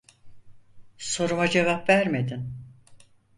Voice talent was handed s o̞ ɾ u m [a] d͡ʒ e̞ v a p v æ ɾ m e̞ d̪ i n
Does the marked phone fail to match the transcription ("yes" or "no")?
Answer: no